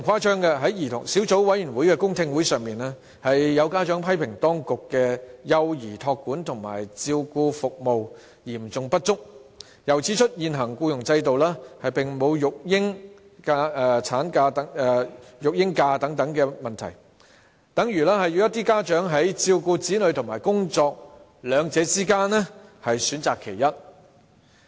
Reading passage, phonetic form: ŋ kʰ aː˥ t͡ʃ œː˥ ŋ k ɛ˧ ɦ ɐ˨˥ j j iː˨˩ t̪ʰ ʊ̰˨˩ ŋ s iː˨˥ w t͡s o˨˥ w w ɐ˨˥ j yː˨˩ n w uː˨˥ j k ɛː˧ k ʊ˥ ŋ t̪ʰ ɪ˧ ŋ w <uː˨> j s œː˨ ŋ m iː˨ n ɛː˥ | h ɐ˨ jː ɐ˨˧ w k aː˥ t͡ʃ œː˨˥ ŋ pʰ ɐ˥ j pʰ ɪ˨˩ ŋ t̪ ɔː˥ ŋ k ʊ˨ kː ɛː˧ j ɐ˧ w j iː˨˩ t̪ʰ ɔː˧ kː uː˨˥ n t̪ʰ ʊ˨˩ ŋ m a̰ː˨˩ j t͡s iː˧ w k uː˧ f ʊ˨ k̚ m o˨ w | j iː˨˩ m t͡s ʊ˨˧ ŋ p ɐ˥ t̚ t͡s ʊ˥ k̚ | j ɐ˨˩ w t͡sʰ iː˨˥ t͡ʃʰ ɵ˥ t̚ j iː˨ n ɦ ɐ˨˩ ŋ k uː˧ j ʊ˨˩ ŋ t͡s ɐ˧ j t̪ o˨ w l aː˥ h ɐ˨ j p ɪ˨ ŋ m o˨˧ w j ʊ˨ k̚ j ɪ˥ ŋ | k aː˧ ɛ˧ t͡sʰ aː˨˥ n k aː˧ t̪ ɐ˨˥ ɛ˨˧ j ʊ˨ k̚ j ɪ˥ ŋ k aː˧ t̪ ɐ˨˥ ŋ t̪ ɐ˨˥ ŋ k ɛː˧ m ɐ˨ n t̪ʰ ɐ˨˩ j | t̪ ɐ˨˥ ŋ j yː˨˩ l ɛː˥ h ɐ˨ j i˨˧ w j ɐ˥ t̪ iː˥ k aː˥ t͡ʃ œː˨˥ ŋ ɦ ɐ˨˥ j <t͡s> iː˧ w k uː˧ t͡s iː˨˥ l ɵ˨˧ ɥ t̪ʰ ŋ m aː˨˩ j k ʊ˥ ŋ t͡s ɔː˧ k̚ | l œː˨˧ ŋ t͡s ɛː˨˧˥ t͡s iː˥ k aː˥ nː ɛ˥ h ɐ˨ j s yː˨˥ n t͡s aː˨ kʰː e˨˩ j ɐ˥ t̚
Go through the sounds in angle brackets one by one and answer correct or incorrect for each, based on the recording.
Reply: incorrect, correct

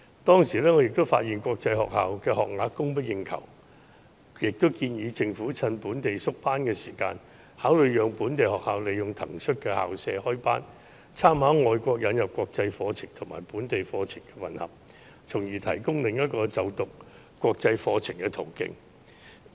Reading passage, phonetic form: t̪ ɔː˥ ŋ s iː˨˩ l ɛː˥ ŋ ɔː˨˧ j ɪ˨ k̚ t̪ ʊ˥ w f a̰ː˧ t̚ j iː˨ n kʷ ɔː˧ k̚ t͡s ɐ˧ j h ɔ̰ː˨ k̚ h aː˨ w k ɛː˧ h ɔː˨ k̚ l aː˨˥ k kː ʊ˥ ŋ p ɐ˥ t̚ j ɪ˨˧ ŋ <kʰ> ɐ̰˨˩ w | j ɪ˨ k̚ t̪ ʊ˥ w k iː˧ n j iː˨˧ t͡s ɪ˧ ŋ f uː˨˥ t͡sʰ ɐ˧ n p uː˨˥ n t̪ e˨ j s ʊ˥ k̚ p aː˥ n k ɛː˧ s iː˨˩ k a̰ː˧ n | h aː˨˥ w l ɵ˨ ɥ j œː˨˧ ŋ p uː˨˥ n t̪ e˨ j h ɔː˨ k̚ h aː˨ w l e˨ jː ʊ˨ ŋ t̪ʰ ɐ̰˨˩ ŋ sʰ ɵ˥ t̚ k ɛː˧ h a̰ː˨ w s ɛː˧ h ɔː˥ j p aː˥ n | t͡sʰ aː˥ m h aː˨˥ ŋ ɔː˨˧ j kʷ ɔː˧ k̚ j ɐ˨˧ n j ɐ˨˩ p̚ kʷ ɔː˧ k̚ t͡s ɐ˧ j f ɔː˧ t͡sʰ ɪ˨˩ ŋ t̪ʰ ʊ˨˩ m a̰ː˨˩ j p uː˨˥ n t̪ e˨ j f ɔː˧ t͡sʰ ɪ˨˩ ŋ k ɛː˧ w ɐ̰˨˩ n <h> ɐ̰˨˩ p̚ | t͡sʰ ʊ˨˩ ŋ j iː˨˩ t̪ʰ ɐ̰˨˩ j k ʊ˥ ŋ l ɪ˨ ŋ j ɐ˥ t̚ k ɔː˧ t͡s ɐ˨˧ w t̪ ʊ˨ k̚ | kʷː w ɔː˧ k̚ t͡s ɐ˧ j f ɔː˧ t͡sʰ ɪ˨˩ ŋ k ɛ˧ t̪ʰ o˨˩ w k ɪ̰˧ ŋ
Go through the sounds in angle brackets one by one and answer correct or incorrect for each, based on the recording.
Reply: correct, correct

